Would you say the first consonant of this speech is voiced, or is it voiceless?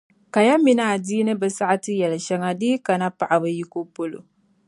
voiceless